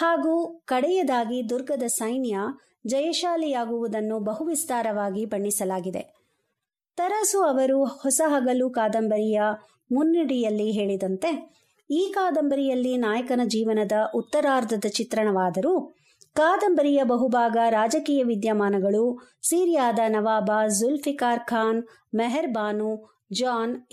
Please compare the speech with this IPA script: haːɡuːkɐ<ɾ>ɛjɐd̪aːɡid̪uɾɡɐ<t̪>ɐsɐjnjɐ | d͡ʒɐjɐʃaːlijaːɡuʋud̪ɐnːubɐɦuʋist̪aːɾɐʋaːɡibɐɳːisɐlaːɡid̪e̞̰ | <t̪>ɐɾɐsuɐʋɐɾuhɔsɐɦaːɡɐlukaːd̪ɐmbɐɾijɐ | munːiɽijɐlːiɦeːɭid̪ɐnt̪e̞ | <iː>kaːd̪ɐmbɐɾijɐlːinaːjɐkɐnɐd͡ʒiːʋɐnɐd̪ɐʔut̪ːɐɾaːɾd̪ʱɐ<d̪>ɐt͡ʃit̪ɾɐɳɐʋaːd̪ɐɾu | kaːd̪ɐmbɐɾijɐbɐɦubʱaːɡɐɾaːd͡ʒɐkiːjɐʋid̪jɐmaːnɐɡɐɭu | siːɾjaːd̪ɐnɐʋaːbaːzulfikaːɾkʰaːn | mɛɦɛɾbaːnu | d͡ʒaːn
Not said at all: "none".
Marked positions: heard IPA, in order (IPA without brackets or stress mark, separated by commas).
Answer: ɽ, d̪, t̪, iː, d̪